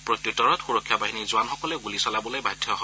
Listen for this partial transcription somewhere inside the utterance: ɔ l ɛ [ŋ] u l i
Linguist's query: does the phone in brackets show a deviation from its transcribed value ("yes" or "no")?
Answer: yes